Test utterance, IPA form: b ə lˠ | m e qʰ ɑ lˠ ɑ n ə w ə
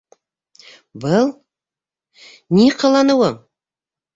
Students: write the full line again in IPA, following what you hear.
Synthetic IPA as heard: b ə lˠ | n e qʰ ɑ lˠ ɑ n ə w ə